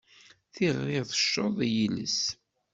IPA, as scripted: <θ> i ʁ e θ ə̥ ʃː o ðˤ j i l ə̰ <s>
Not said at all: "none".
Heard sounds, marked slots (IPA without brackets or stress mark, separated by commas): θ, s